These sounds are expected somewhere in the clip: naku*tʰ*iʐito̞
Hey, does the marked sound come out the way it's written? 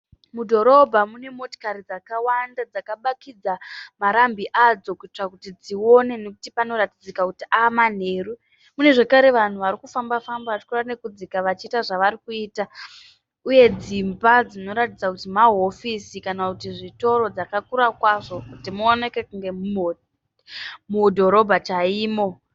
no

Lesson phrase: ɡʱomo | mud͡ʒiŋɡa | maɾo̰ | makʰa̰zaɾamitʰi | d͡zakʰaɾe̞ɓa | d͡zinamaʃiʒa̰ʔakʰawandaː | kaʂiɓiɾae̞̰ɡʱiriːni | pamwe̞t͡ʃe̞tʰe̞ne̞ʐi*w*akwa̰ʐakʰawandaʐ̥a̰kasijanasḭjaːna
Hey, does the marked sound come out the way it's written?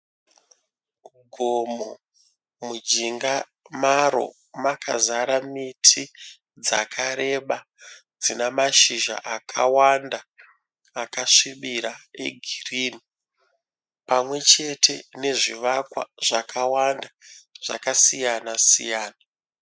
no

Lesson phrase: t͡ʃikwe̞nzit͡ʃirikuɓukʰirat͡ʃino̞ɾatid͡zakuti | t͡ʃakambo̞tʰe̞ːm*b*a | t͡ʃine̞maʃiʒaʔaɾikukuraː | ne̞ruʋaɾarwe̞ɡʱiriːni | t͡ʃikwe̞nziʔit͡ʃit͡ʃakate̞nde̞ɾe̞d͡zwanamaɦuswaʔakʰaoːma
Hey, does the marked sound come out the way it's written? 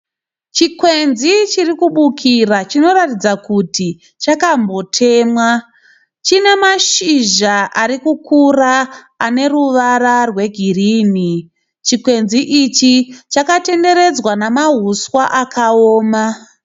no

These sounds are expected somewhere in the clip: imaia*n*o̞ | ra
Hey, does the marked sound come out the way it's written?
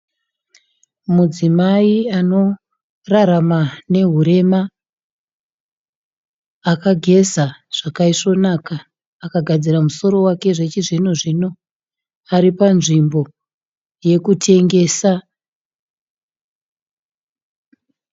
yes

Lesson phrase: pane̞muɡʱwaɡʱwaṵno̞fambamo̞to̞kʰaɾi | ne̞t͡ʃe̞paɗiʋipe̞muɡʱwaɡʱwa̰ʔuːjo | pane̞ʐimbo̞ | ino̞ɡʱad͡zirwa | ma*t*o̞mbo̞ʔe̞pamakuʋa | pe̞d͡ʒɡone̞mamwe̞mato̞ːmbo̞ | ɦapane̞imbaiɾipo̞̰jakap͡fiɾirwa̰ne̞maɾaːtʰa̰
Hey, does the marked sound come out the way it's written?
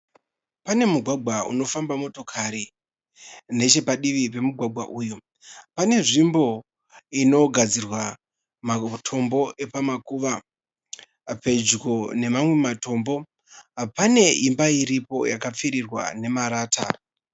no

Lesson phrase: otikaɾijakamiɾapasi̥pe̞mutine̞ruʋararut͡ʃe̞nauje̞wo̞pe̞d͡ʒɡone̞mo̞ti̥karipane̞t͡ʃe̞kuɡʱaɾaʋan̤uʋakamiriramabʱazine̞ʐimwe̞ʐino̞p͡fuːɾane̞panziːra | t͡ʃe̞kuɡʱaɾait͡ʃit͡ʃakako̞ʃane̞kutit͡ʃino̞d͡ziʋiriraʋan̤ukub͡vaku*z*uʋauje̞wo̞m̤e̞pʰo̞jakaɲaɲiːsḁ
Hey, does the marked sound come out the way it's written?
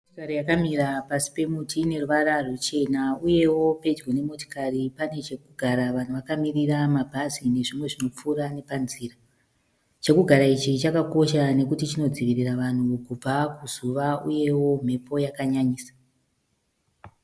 yes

